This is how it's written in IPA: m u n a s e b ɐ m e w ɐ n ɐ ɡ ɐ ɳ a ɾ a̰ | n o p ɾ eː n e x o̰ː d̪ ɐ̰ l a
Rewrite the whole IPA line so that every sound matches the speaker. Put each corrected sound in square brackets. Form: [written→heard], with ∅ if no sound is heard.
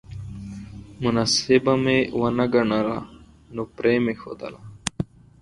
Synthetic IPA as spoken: m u n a s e b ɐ m e w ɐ n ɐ ɡ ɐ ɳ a ɾ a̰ | n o p ɾ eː [n→m] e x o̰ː d̪ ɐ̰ l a

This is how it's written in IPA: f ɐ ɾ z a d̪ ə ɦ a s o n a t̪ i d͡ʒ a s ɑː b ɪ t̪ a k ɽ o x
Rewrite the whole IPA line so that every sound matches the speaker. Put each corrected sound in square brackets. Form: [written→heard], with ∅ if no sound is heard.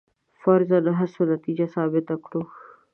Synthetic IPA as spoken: f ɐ ɾ z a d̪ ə ɦ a s o n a t̪ i d͡ʒ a s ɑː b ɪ t̪ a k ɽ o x

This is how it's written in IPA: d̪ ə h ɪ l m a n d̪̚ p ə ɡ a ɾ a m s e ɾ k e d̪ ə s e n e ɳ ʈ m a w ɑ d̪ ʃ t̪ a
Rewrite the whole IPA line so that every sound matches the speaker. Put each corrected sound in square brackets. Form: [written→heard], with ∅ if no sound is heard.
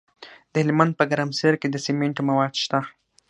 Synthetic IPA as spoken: d̪ ə h ɪ l m a n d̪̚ p ə ɡ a ɾ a m s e ɾ k e d̪ ə s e [n→m] e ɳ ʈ m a w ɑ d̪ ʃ t̪ a

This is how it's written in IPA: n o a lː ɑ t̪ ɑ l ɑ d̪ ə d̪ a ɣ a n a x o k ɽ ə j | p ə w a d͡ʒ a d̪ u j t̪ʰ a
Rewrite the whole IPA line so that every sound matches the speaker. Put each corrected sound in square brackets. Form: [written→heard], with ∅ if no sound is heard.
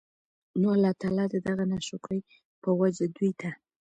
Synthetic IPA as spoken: n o a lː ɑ t̪ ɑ l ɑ d̪ ə d̪ a ɣ a n a [x→ʃ] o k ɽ ə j | p ə w a d͡ʒ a d̪ u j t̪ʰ a

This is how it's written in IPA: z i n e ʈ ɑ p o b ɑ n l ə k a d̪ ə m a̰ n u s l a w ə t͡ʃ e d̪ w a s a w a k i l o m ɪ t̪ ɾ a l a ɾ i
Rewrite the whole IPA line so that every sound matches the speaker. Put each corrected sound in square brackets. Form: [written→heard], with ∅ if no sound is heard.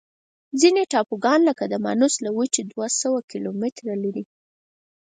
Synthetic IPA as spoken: z i n e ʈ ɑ p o [b→ɡ] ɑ n l ə k a d̪ ə m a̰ n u s l a w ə t͡ʃ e d̪ w a s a w a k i l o m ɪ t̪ ɾ a l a ɾ i

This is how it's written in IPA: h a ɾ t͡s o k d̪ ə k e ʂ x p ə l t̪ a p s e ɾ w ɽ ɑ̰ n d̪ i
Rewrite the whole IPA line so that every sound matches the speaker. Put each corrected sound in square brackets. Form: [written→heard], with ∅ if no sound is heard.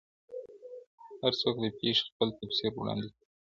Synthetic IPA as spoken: h a ɾ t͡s o k d̪ ə [k→p] e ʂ x p ə l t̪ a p s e ɾ w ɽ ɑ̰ n d̪ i

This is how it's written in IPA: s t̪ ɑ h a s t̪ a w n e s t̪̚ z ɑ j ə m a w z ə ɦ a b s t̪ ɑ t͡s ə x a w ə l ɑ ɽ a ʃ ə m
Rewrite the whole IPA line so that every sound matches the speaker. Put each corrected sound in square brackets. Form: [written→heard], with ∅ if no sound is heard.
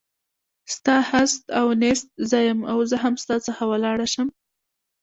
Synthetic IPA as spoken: s t̪ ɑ h a s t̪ a w n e s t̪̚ z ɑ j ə m a w z ə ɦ a [b→m] s t̪ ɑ t͡s ə x a w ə l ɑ ɽ a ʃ ə m

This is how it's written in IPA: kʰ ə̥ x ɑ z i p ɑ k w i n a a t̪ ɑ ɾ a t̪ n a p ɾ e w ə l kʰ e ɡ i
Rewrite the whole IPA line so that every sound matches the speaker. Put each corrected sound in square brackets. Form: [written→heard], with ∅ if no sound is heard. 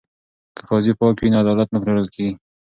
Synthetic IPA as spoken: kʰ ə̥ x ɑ z i p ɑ k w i n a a [t̪→d̪] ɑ [ɾ→l] a t̪ n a p ɾ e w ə l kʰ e ɡ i

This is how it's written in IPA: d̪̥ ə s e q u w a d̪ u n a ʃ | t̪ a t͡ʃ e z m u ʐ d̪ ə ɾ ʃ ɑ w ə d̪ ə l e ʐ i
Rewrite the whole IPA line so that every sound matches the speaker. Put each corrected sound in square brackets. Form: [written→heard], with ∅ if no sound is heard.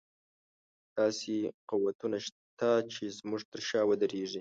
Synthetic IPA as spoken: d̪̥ [ə→ɑ] s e q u w a [d̪→t̪] u n a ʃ | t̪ a t͡ʃ e z m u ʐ [d̪→t̪] ə ɾ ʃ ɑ w ə d̪ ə [l→ɾ] e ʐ i

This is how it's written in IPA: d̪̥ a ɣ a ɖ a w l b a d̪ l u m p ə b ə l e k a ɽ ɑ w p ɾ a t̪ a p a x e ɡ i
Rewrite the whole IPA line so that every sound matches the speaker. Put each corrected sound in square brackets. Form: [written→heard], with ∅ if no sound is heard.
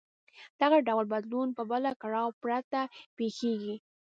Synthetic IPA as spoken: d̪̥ a ɣ a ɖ a w l b a d̪ l u [m→n] p ə b ə l [e→a] k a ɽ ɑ w p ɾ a t̪ a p [a→e] x e ɡ i

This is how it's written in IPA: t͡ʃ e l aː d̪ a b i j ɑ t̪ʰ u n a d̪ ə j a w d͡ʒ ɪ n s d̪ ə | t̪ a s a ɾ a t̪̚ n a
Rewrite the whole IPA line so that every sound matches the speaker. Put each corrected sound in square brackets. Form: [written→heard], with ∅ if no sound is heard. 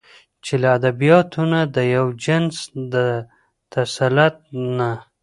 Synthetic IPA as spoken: t͡ʃ e l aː d̪ a b i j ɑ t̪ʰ u n a d̪ ə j a w d͡ʒ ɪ n s d̪ ə | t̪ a s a [ɾ→l] a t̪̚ n a

